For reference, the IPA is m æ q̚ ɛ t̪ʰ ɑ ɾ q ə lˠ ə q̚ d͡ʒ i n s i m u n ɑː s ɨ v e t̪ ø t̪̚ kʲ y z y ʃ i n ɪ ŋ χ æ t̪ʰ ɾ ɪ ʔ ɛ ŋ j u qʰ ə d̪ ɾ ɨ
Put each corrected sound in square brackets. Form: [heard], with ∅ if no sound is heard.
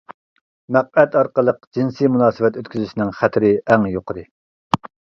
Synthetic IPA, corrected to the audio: m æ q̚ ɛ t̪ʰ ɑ ɾ q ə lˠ ə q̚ d͡ʒ i n s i m u n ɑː s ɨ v [ɛ] t̪ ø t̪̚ kʲ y z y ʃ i n ɪ ŋ χ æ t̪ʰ ɾ ɪ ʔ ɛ ŋ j [o] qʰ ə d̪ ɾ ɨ